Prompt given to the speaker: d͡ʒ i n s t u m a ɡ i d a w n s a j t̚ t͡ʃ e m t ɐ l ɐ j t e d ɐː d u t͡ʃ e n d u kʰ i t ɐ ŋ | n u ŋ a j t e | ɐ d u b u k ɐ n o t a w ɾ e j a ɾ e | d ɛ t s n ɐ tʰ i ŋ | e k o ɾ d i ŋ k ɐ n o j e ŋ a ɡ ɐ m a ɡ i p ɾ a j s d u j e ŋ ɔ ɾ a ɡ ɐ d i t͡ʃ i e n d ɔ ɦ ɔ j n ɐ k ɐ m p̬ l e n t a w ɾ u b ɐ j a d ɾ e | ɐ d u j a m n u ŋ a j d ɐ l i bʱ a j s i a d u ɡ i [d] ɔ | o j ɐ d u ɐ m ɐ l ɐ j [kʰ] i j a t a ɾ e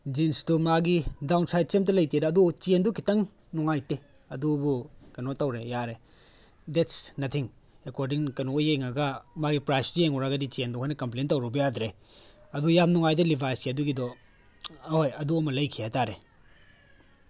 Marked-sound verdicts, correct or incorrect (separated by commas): correct, correct